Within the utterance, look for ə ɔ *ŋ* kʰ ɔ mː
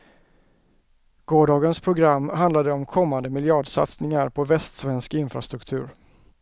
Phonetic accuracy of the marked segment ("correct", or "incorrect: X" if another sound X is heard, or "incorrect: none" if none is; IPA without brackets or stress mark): incorrect: m